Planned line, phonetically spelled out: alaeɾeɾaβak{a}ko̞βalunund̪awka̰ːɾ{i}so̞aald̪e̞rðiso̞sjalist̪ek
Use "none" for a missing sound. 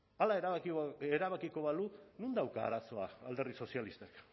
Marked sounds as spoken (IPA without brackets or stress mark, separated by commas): i, a